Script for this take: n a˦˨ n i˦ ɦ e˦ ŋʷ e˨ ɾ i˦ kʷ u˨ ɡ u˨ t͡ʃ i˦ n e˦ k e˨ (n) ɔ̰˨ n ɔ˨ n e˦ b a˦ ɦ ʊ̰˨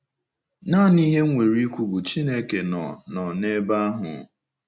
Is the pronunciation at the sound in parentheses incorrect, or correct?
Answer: correct